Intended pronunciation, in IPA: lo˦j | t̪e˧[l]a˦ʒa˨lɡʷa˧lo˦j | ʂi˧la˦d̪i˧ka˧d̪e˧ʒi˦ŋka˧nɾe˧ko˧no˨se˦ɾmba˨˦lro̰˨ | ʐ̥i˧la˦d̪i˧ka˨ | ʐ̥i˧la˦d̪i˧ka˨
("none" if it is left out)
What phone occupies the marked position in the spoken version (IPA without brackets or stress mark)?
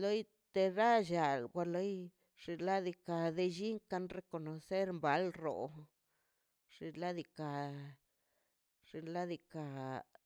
ɾ